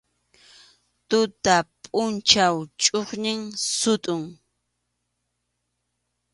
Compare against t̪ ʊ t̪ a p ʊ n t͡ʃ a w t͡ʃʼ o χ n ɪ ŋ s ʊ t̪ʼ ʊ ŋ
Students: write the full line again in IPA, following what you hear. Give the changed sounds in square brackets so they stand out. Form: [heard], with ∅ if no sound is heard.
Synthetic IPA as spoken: t̪ ʊ t̪ a [pʼ] ʊ n t͡ʃ a w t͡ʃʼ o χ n ɪ ŋ s ʊ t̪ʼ ʊ ŋ